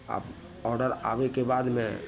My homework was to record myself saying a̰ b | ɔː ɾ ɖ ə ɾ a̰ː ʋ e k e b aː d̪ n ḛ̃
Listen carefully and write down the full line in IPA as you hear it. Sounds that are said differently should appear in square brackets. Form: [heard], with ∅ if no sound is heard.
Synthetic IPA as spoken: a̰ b | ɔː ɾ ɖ ə ɾ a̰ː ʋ e k e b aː d̪ [m] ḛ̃